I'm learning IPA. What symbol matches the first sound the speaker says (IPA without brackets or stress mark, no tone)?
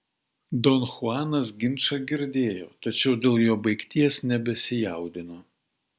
d̪